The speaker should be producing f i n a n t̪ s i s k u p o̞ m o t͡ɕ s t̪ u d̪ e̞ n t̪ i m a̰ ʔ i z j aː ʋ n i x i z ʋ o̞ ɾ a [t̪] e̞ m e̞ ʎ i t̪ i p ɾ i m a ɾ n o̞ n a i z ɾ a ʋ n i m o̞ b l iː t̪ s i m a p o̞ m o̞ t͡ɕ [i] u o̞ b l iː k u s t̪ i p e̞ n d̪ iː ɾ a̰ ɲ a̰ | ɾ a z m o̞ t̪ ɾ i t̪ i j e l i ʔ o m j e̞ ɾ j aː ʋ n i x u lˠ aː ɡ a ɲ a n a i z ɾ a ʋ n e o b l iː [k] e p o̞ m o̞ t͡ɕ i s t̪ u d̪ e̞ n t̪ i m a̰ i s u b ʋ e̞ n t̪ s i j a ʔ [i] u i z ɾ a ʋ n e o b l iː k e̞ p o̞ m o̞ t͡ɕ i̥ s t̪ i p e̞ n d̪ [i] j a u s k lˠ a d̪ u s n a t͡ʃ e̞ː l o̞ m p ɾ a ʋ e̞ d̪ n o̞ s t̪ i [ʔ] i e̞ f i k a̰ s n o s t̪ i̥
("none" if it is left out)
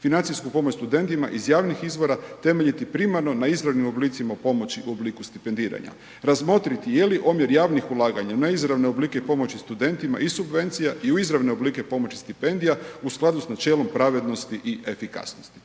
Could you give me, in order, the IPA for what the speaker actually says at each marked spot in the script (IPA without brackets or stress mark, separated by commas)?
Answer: t̪, i, k, i, i, ʔ